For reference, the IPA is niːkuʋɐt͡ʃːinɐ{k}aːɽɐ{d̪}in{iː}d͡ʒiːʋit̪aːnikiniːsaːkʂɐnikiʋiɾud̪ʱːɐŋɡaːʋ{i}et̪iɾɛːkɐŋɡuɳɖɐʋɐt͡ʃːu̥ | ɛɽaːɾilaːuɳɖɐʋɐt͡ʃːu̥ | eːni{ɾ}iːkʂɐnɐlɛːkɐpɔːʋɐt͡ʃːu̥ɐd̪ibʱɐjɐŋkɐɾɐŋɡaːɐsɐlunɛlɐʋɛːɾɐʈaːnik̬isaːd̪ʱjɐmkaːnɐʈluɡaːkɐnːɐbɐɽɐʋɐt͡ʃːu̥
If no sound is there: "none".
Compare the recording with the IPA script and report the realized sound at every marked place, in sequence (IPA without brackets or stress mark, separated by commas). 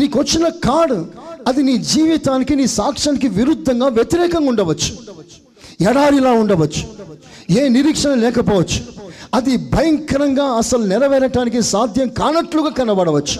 k, d̪, iː, j, ɾ